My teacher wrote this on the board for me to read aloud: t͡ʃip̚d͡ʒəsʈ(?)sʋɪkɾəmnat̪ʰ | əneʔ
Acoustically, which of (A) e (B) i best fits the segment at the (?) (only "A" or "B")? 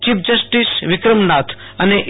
B